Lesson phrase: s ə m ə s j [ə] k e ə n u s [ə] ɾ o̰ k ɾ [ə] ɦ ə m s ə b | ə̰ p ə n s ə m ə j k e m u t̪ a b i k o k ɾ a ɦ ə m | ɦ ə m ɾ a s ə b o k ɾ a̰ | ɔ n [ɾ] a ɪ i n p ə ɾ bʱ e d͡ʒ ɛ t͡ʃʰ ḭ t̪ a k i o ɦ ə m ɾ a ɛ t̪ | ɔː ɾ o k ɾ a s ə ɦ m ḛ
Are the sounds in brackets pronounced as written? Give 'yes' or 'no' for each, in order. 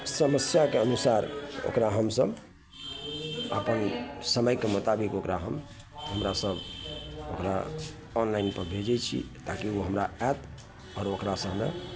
no, no, no, no

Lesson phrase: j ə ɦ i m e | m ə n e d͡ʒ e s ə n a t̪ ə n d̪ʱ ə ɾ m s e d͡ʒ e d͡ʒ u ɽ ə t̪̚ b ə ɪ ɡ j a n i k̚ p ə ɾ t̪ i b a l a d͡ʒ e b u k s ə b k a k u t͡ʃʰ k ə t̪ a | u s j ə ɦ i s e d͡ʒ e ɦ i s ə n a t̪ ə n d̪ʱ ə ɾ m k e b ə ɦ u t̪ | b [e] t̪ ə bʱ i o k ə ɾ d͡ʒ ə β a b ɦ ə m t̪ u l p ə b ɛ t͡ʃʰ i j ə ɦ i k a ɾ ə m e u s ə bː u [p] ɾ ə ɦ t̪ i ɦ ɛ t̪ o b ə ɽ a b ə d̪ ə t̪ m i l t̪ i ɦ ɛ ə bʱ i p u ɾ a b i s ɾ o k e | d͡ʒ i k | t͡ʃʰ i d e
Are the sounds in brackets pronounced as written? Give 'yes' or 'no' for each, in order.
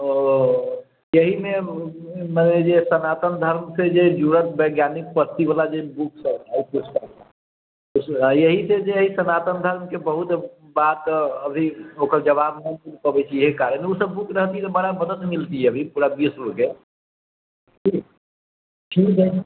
no, no

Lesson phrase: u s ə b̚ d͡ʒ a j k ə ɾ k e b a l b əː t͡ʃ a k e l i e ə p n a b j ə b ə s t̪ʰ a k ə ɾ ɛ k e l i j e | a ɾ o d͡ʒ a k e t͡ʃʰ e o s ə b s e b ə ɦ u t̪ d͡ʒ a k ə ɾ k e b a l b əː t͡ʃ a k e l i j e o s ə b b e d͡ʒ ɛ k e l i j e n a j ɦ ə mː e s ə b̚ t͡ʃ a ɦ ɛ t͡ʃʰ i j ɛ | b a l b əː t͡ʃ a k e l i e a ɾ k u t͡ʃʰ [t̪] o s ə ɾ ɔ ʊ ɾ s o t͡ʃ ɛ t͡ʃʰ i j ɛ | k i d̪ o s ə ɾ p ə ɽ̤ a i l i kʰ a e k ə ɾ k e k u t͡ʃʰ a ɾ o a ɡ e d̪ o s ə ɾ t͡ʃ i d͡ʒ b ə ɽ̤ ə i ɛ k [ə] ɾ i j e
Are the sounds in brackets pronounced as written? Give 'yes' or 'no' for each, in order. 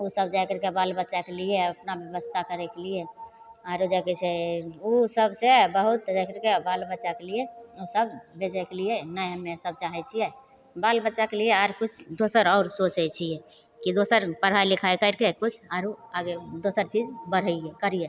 no, yes

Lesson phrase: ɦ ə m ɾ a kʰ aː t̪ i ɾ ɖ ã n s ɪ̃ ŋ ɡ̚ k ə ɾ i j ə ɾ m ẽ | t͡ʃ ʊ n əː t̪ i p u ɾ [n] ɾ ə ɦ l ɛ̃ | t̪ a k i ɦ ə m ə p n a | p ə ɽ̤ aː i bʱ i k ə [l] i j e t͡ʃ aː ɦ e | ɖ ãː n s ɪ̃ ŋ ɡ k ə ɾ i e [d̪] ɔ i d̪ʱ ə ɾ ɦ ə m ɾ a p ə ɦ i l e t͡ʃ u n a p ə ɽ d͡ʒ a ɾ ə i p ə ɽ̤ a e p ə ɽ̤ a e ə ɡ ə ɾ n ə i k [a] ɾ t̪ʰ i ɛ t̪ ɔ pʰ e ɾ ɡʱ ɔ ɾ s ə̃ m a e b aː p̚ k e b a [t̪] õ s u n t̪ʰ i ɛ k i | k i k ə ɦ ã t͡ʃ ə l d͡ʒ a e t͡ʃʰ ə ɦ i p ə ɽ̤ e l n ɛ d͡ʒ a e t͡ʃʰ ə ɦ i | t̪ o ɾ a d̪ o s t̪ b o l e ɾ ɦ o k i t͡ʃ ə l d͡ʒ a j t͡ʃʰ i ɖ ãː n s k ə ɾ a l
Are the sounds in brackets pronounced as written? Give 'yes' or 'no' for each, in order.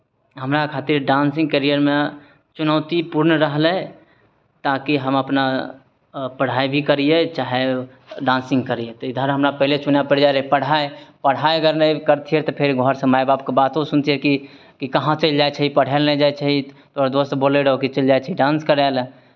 yes, no, no, no, yes

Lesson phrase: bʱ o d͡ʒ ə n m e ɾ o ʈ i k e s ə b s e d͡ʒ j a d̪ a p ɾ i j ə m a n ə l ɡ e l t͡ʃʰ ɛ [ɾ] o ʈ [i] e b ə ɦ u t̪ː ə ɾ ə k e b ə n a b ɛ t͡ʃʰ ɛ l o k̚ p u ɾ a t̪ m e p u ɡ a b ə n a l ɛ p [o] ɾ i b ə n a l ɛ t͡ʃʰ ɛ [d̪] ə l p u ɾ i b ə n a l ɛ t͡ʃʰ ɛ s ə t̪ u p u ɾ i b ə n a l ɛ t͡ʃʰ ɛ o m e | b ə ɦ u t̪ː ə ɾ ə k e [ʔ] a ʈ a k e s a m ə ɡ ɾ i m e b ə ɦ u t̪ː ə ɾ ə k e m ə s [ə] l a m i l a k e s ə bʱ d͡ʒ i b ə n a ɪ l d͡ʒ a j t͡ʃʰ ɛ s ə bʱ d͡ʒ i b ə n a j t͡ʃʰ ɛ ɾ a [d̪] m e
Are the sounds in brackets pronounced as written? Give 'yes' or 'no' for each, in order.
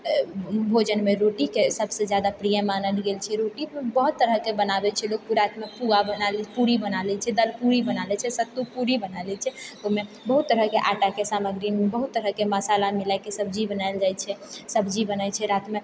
yes, yes, no, yes, yes, no, no

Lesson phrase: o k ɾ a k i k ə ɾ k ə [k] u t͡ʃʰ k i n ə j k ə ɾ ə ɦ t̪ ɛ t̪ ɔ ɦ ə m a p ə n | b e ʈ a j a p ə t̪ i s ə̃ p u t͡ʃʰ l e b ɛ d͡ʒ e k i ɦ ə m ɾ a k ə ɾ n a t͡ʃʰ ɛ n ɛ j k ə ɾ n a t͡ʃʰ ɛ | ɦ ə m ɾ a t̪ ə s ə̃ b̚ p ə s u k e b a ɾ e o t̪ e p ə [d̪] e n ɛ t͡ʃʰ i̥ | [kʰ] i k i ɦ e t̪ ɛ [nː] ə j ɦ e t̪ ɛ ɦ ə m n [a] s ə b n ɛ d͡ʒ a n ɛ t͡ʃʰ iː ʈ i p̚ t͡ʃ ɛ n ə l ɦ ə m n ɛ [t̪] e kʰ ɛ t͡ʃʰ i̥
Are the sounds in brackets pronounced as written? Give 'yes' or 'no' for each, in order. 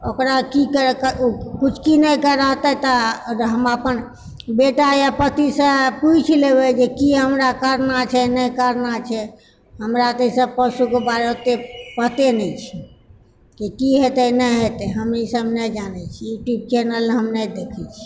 yes, no, no, no, no, no

